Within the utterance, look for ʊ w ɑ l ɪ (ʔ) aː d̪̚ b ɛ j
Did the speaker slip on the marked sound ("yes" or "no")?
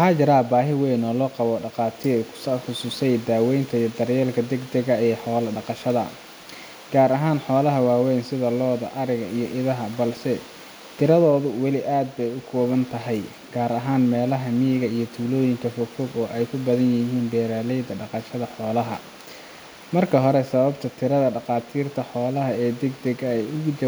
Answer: no